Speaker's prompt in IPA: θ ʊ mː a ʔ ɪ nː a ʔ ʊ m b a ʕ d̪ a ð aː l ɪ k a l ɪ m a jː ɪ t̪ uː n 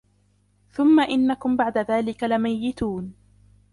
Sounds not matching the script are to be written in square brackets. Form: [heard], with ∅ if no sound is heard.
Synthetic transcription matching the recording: θ ʊ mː a ʔ ɪ nː a [k] ʊ m b a ʕ d̪ a ð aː l ɪ k a l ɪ m a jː ɪ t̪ uː n